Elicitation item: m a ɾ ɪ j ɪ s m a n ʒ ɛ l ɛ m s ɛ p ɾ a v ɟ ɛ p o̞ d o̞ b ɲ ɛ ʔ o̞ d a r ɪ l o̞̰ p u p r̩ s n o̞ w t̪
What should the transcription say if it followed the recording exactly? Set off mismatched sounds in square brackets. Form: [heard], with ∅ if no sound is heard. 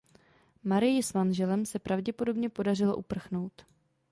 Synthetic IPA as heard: m a ɾ ɪ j ɪ s m a n ʒ ɛ l ɛ m s ɛ p ɾ a v ɟ ɛ p o̞ d o̞ b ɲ ɛ [p] o̞ d a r ɪ l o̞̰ [ʔ] u p r̩ [x] n o̞ w t̪